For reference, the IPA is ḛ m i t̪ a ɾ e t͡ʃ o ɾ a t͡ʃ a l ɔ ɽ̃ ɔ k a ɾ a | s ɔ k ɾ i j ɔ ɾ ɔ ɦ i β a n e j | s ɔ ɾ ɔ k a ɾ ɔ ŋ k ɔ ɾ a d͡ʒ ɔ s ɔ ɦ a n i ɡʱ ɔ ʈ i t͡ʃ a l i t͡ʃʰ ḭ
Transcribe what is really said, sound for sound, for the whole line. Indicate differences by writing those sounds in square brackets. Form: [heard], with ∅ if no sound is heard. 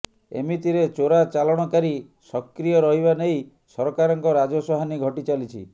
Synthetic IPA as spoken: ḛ m i t̪ [i] ɾ e t͡ʃ o ɾ a t͡ʃ a l ɔ ɽ̃ ɔ k a ɾ [i] | s ɔ k ɾ i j ɔ ɾ ɔ ɦ i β a n e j | s ɔ ɾ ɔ k a ɾ ɔ ŋ k ɔ ɾ a d͡ʒ ɔ s ɔ ɦ a n i ɡʱ ɔ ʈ i t͡ʃ a l i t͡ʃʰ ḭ

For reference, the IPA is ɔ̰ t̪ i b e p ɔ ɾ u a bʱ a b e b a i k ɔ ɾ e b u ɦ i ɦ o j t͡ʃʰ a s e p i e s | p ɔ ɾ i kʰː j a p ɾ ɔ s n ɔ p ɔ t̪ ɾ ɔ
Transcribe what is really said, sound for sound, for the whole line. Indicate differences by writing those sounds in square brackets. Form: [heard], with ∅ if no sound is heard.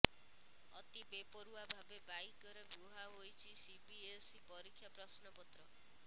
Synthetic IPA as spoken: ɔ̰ t̪ i b e p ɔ ɾ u a bʱ a b e b a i k ɔ ɾ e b u ɦ [a] ɦ o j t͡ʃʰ [i] s [i] p i e s | p ɔ ɾ i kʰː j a p ɾ ɔ s n ɔ p ɔ t̪ ɾ ɔ

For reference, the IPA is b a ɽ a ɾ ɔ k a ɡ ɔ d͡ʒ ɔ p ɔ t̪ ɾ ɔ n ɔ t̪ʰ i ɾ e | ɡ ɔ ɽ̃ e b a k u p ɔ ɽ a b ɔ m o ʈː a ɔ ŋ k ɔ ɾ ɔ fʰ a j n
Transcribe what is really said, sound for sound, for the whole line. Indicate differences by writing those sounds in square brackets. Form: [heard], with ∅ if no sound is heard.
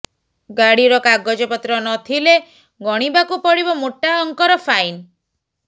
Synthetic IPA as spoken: [ɡ] a ɽ [i] ɾ ɔ k a ɡ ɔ d͡ʒ ɔ p ɔ t̪ ɾ ɔ n ɔ t̪ʰ i [l] e | ɡ ɔ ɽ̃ [i] b a k u p ɔ ɽ [i] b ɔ m o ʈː a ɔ ŋ k ɔ ɾ ɔ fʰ a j n

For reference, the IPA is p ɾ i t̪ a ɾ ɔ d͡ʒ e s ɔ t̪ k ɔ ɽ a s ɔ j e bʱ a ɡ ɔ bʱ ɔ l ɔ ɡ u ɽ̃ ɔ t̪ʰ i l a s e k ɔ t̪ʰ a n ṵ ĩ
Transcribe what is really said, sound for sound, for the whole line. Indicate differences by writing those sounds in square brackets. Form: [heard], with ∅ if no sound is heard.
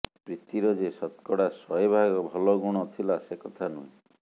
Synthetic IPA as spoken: p ɾ i t̪ [i] ɾ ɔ d͡ʒ e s ɔ t̪ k ɔ ɽ a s ɔ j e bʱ a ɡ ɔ bʱ ɔ l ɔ ɡ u ɽ̃ ɔ t̪ʰ i l a s e k ɔ t̪ʰ a n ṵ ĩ

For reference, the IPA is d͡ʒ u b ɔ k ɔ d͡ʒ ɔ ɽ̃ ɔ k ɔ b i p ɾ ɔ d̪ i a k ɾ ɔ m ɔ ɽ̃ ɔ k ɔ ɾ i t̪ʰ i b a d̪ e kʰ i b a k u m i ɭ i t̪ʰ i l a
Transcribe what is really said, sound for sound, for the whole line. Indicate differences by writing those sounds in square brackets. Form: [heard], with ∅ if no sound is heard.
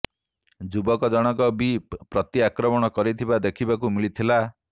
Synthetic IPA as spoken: d͡ʒ u b ɔ k ɔ d͡ʒ ɔ ɽ̃ ɔ k ɔ b i p ɾ ɔ [t̪] i a k ɾ ɔ m ɔ ɽ̃ ɔ k ɔ ɾ i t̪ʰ i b a d̪ e kʰ i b a k u m i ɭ i t̪ʰ i l a

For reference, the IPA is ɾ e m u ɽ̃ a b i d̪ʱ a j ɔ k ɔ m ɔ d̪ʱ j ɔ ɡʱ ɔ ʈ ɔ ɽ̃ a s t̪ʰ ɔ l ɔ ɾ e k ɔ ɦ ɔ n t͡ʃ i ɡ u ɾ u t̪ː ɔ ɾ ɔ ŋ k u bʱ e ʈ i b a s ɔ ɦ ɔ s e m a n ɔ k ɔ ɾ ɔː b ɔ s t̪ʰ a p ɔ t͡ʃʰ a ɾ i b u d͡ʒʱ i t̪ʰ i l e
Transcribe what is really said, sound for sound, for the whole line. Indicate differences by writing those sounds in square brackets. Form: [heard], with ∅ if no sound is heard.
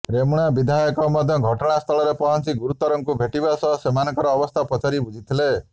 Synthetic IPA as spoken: ɾ e m u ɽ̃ a b i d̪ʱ a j ɔ k ɔ m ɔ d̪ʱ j ɔ ɡʱ ɔ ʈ ɔ ɽ̃ a s t̪ʰ ɔ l ɔ ɾ e [p] ɔ ɦ ɔ n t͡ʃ i ɡ u ɾ u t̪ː ɔ ɾ ɔ ŋ k u bʱ e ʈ i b a s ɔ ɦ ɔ s e m a n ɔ k ɔ ɾ ɔː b ɔ s t̪ʰ a p ɔ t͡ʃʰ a ɾ i b u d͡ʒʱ i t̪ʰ i l e

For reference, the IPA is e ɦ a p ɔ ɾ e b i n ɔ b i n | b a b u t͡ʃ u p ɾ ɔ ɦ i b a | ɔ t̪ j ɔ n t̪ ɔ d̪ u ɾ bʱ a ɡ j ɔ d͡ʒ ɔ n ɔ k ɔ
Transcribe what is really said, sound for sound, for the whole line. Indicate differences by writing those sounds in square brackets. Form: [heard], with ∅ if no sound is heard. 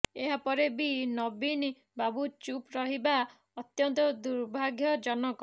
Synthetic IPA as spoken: e ɦ a p ɔ ɾ e b i n ɔ b i n | b a b u t͡ʃ u p ɾ ɔ ɦ i b a | ɔ t̪ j ɔ n t̪ ɔ d̪ u ɾ bʱ a ɡ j ɔ d͡ʒ ɔ n ɔ k ɔ

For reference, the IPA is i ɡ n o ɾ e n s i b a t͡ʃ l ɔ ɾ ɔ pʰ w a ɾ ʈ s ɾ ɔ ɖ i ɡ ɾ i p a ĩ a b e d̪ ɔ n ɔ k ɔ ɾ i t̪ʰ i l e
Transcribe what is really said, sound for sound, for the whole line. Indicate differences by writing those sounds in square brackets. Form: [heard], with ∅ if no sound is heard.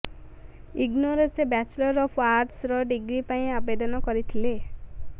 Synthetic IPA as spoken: i ɡ n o ɾ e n s [e] b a t͡ʃ l ɔ ɾ ɔ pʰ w a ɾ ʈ s ɾ ɔ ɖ i ɡ ɾ i p a ĩ a b e d̪ ɔ n ɔ k ɔ ɾ i t̪ʰ i l e

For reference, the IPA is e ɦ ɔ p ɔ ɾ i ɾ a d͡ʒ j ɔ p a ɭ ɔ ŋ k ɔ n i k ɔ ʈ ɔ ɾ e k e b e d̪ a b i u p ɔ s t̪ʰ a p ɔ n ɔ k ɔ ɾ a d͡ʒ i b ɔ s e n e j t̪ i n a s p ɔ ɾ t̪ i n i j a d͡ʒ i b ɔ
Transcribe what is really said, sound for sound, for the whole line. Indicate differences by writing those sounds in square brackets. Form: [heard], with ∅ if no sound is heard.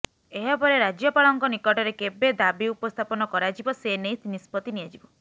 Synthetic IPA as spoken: e ɦ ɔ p ɔ ɾ [e] ɾ a d͡ʒ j ɔ p a ɭ ɔ ŋ k ɔ n i k ɔ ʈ ɔ ɾ e k e b e d̪ a b i u p ɔ s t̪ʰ a p ɔ n ɔ k ɔ ɾ a d͡ʒ i b ɔ s e n e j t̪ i n [i] s p ɔ [∅] t̪ i n i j a d͡ʒ i b ɔ

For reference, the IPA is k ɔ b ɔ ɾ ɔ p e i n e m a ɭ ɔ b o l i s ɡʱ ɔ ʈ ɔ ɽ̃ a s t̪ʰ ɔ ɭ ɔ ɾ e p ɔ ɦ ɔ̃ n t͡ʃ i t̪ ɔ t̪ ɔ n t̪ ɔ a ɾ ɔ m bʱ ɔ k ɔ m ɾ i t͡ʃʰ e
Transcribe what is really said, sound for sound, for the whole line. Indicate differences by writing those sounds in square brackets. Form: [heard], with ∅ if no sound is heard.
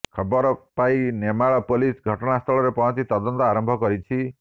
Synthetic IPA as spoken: [kʰ] ɔ b ɔ ɾ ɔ p [a] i n e m a ɭ ɔ [p] o l i s ɡʱ ɔ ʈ ɔ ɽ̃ a s t̪ʰ ɔ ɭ ɔ ɾ e p ɔ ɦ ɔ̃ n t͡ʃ i t̪ ɔ [d̪] ɔ n t̪ ɔ a ɾ ɔ m bʱ ɔ k ɔ [∅] ɾ i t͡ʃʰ [i]

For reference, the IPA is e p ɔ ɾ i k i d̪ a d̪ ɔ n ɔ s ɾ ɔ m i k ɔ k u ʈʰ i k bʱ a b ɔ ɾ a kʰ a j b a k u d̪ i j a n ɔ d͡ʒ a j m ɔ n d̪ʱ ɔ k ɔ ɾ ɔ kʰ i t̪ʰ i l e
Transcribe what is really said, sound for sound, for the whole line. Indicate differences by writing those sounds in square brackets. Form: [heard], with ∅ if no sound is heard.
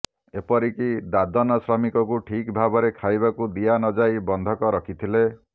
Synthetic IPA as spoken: e p ɔ ɾ i k i d̪ a d̪ ɔ n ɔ s ɾ ɔ m i k ɔ k u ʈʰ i k bʱ a b ɔ ɾ [e] kʰ a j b a k u d̪ i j a n ɔ d͡ʒ a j [b] ɔ n d̪ʱ ɔ k ɔ ɾ ɔ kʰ i t̪ʰ i l e

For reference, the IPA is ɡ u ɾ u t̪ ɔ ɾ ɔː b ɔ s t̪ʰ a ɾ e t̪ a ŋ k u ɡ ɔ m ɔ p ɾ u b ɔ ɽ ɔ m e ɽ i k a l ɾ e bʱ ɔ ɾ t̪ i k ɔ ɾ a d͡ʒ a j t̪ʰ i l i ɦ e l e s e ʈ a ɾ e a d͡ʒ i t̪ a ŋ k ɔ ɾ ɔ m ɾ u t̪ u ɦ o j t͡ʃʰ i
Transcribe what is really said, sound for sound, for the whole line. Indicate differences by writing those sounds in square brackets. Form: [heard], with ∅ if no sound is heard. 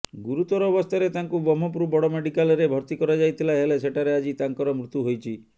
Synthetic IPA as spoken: ɡ u ɾ u t̪ ɔ ɾ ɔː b ɔ s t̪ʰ a ɾ e t̪ a ŋ k u [b] ɔ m ɔ p ɾ u b ɔ ɽ ɔ m e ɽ i k a l ɾ e bʱ ɔ ɾ t̪ i k ɔ ɾ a d͡ʒ a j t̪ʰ i l [a] ɦ e l e s e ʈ a ɾ e a d͡ʒ i t̪ a ŋ k ɔ ɾ ɔ m ɾ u t̪ u ɦ o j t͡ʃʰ i

